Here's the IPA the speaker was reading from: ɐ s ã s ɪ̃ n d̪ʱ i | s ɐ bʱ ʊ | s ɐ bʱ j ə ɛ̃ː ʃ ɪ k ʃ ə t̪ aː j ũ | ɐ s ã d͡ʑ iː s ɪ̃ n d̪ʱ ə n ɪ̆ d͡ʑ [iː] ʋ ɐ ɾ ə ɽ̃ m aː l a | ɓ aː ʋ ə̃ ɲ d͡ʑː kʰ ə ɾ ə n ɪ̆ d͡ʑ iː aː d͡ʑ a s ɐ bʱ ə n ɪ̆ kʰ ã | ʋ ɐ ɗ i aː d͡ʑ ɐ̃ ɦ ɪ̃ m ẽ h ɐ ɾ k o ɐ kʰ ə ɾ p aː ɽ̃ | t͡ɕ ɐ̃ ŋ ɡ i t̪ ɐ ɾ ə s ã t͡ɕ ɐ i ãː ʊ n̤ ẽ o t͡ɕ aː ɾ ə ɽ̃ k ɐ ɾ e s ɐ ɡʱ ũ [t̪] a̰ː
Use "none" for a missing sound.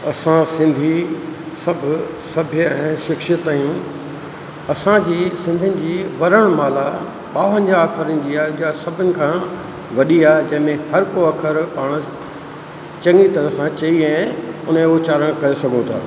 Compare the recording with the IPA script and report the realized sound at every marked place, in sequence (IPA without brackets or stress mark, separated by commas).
iː, t̪ʰ